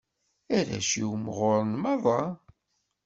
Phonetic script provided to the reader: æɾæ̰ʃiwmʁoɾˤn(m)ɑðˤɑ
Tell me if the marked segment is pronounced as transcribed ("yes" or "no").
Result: yes